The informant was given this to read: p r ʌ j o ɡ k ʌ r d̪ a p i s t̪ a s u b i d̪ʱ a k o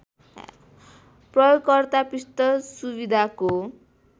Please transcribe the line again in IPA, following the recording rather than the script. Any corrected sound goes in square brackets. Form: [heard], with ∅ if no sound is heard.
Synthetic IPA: p r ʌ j o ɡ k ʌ r [t̪] a p i s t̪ [ʌ] s u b i d̪ʱ a k o